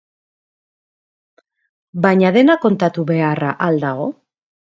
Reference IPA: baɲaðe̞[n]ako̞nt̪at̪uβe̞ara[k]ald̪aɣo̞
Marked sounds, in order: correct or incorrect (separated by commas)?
correct, incorrect